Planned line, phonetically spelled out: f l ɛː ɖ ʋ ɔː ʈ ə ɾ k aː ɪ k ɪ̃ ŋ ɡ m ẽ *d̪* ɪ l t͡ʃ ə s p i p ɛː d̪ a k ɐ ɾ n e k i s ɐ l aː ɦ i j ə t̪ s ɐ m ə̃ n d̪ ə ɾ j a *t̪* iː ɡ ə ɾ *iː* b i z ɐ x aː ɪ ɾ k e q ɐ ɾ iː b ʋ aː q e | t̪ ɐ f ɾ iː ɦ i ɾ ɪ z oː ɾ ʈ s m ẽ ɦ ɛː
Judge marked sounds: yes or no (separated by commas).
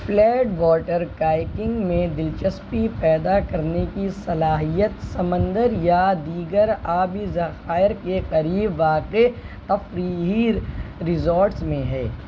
yes, no, no